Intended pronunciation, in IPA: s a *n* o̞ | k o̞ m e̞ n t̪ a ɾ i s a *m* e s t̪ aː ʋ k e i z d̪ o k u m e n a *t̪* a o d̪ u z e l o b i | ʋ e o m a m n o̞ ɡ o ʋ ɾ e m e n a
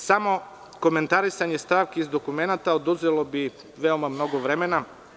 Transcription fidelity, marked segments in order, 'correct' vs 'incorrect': incorrect: m, incorrect: ɲ, correct

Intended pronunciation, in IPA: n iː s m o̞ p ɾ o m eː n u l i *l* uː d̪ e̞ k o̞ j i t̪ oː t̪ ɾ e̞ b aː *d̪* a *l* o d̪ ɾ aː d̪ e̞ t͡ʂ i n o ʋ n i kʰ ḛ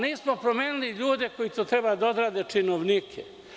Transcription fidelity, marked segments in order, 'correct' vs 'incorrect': incorrect: ʎ, correct, incorrect: none

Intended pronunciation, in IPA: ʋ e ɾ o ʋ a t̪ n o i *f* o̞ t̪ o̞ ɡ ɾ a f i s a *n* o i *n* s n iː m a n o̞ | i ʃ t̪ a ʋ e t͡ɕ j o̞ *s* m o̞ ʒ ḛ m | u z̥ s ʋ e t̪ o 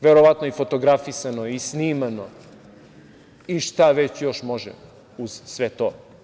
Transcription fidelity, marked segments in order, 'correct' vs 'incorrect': correct, correct, incorrect: none, incorrect: ʃ

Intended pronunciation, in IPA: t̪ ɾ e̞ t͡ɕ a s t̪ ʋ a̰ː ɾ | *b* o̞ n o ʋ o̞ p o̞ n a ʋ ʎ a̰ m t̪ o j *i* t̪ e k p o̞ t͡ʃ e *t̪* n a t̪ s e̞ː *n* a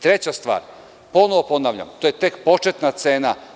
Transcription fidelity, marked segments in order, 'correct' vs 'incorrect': incorrect: p, incorrect: e, correct, correct

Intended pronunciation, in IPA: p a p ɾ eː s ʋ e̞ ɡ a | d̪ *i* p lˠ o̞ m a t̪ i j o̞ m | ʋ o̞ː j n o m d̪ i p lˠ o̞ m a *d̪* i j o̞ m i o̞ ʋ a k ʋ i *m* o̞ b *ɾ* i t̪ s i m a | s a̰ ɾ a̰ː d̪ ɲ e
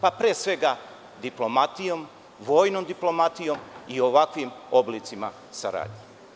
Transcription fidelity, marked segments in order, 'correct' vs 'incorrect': correct, incorrect: t̪, correct, incorrect: l

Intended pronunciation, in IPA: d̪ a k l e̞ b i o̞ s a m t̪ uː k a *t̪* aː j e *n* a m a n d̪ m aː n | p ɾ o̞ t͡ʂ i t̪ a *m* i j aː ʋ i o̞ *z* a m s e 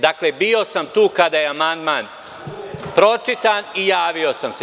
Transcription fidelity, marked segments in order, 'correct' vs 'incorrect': incorrect: d̪, incorrect: none, incorrect: n, incorrect: s

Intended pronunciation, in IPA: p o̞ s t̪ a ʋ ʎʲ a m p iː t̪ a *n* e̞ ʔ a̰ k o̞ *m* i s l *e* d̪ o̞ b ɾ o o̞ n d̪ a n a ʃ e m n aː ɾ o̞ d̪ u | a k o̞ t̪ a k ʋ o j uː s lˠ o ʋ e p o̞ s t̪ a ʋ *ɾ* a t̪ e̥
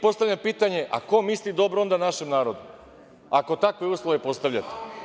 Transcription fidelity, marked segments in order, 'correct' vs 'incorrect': incorrect: ɲ, correct, incorrect: i, incorrect: ʎ

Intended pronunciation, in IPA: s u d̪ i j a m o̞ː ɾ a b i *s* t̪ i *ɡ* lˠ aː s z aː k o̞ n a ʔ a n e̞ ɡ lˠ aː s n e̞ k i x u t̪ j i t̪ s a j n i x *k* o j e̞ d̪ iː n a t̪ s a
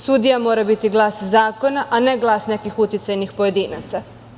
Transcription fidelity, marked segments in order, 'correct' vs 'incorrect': incorrect: none, correct, incorrect: p

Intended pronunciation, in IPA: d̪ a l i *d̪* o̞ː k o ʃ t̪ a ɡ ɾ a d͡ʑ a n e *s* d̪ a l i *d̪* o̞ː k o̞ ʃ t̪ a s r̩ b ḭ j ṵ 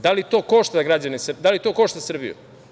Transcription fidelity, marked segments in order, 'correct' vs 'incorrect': incorrect: t̪, correct, incorrect: t̪

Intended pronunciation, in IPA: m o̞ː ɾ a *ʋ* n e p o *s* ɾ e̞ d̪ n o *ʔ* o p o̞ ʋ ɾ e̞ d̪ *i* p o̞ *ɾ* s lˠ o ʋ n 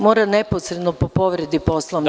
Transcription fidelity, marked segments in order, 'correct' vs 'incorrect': incorrect: none, correct, incorrect: p, correct, incorrect: none

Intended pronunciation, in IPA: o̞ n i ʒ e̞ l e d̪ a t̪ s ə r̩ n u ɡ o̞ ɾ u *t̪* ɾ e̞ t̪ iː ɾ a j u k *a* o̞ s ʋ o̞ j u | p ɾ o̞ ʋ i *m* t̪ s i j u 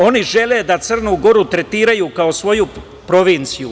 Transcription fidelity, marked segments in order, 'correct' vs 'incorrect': correct, correct, incorrect: n

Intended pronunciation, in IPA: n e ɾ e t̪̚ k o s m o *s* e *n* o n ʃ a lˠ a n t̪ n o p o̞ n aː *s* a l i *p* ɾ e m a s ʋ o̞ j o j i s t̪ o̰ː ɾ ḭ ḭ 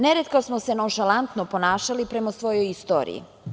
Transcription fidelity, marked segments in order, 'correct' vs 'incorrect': correct, correct, incorrect: ʃ, correct

